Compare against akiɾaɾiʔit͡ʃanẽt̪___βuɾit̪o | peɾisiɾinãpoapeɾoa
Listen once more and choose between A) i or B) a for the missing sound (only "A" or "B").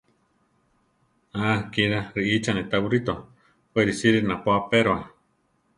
B